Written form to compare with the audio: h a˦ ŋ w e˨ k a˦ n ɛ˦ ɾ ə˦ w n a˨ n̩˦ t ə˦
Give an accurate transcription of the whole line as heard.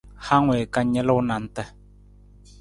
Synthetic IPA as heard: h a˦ ŋ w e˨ k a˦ ɲ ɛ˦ l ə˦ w n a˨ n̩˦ t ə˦